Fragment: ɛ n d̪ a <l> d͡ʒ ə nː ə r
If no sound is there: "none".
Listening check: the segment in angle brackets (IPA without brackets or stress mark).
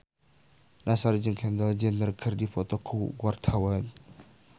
l